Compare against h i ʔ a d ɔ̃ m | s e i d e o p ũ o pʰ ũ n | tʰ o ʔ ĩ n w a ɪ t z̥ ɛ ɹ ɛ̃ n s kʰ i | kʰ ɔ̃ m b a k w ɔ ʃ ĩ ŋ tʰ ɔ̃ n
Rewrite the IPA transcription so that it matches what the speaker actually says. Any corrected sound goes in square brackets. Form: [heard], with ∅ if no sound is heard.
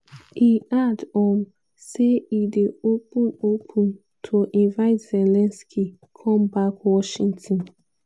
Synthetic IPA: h i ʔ a d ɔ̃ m | s e i d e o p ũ o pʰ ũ n | tʰ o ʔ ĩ n [v] a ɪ t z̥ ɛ [l] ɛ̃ n s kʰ i | kʰ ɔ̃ m b a k w ɔ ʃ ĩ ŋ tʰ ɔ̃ n